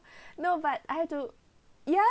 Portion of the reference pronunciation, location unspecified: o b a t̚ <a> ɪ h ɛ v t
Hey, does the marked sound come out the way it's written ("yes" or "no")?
yes